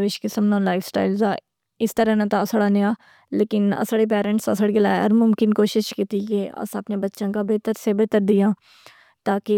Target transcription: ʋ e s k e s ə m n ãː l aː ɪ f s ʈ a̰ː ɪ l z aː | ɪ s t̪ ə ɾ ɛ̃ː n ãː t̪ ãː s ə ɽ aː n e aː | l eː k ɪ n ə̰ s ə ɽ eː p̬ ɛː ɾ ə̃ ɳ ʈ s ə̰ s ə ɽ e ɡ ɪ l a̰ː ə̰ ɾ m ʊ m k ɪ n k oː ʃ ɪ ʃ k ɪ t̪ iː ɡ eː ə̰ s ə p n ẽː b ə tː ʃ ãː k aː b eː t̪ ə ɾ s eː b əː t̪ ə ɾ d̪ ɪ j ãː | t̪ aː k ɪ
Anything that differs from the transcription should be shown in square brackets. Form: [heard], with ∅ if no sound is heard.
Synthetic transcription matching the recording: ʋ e [ʃ] k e s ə m n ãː l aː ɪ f s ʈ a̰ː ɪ l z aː | ɪ s t̪ ə ɾ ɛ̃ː n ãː t̪ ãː s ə ɽ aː n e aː | l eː k ɪ n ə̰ s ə ɽ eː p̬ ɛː ɾ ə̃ ɳ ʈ s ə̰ s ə ɽ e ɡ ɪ l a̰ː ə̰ ɾ m ʊ m k ɪ n k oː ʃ ɪ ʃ k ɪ t̪ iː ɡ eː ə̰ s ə p n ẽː b ə tː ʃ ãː k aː b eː t̪ ə ɾ s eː b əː t̪ ə ɾ d̪ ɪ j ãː | t̪ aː k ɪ